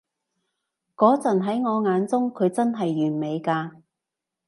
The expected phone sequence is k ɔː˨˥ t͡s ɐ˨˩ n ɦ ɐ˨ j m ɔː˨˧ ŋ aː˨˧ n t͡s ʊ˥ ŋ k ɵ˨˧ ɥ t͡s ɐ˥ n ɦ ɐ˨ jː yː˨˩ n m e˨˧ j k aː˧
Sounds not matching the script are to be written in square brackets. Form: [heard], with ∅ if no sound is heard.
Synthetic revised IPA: k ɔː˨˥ t͡s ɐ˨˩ n ɦ [ɐ˨˥] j [ŋ] ɔː˨˧ ŋ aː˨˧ n t͡s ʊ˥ ŋ [kʰ] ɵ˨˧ ɥ t͡s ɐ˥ n ɦ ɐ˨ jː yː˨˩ n m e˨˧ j k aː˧